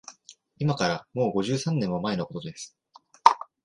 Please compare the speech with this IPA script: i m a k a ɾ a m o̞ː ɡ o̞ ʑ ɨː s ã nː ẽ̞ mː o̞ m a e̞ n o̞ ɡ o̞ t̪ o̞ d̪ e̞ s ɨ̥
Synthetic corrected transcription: i m a k a ɾ a m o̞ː ɡ o̞ ʑ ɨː s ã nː ẽ̞ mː o̞ m a e̞ n o̞ k o̞ t̪ o̞ d̪ e̞ s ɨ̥